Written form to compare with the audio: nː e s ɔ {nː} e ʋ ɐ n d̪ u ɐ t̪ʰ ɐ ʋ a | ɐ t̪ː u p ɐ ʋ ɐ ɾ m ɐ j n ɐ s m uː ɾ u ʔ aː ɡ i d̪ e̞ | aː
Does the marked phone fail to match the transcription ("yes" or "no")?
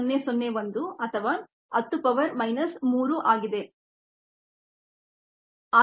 no